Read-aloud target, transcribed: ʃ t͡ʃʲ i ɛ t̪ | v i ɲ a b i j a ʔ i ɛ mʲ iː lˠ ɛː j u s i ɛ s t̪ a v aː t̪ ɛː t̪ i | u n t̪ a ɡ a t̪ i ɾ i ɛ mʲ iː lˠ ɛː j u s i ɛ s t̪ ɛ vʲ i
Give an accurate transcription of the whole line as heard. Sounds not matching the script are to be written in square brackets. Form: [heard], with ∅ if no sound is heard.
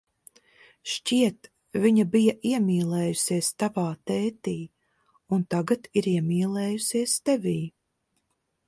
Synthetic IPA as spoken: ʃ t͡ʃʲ i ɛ t̪ | v i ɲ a b i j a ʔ i ɛ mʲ iː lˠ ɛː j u s i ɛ s t̪ a v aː t̪ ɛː t̪ [iː] | u n t̪ a ɡ a t̪ i ɾ i ɛ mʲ iː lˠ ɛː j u s i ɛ s t̪ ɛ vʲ [iː]